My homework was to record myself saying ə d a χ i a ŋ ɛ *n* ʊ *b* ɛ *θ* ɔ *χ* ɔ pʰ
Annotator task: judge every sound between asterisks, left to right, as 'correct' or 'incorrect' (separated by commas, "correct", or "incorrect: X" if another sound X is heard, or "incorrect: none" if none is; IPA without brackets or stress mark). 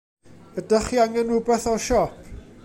correct, correct, correct, incorrect: ʃ